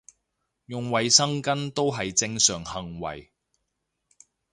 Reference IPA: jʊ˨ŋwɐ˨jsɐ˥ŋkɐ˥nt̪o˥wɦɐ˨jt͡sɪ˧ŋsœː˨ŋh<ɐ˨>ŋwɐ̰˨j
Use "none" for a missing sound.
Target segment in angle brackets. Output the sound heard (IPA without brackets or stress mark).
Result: ɐ˨